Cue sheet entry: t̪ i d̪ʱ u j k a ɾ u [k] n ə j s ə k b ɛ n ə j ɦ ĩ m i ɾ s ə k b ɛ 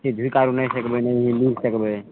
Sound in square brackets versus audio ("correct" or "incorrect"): incorrect